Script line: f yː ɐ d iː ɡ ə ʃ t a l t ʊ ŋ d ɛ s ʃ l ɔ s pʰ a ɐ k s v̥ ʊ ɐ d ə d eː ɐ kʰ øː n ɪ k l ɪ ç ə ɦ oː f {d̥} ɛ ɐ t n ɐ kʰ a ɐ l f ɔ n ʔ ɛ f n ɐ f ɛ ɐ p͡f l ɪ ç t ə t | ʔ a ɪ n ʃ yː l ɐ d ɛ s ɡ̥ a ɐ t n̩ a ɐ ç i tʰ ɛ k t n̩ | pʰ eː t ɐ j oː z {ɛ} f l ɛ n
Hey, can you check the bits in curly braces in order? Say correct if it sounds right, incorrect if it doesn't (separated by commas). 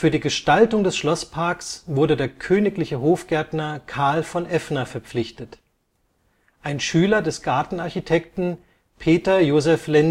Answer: incorrect, correct